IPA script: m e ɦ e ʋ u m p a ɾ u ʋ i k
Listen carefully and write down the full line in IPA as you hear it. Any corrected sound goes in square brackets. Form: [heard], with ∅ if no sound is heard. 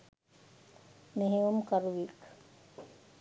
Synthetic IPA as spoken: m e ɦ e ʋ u m [k] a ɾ u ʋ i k

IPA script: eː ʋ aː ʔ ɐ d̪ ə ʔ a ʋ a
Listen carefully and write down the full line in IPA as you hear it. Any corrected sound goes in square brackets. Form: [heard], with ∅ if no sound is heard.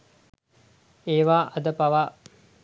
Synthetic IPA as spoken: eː ʋ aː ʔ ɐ d̪ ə [p] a ʋ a

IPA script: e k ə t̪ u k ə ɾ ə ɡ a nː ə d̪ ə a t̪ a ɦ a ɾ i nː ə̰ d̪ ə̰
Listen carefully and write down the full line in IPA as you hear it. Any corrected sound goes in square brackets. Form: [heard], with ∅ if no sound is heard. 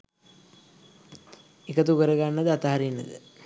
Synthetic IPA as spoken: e k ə t̪ u k ə ɾ ə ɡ a nː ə d̪ ə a t̪ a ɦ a ɾ i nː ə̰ d̪ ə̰

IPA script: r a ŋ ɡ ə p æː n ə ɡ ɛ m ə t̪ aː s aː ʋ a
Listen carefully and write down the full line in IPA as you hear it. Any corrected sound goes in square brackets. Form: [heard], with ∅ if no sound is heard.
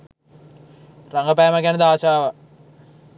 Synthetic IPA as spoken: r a ŋ ɡ ə p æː [m] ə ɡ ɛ [n] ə [d̪] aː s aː ʋ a

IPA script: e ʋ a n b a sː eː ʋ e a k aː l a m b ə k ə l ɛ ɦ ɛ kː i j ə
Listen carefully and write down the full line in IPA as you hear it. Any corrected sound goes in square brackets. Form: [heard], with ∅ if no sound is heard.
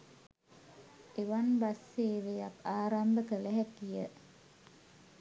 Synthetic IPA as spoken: e ʋ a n b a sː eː ʋ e a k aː [ɾ] a m b ə k ə l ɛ ɦ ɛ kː i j ə

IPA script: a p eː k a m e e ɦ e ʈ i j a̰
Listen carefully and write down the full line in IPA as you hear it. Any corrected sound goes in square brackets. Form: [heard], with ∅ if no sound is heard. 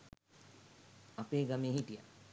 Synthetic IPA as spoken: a p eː [ɡ] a m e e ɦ [i] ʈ i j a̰

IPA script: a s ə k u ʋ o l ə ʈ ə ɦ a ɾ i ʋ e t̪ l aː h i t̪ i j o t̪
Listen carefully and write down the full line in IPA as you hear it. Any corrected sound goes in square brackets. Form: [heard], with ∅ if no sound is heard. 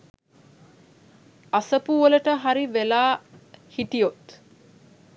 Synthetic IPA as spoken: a s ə [p] u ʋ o l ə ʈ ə ɦ a ɾ i ʋ e [∅] l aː h i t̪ i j o t̪

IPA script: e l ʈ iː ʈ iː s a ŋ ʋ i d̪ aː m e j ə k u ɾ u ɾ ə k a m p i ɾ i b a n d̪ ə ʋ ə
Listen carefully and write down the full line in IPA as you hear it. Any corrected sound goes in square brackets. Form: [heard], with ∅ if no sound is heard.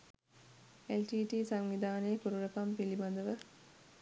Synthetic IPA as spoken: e l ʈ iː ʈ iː s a ŋ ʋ i d̪ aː [n] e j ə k u ɾ u ɾ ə k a m p i [l] i b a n d̪ ə ʋ ə

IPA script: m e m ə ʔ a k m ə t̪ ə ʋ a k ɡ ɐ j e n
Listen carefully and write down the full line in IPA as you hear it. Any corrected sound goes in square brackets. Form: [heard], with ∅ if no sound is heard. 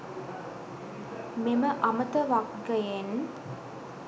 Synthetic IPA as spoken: m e m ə ʔ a [∅] m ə t̪ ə ʋ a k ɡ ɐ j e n

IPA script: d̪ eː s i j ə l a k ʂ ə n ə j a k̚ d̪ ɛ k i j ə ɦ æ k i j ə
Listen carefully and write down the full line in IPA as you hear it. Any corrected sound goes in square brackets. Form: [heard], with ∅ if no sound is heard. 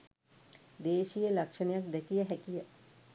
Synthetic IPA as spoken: d̪ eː [ʃ] i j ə l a k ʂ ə n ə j a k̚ d̪ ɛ k i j ə ɦ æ k i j ə

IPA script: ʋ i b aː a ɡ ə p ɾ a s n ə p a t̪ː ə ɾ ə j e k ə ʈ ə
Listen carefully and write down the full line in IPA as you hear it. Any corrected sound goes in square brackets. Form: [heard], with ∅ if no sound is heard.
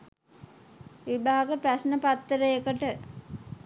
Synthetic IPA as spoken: ʋ i b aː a ɡ ə p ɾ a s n ə p a t̪ː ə ɾ ə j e k ə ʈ ə

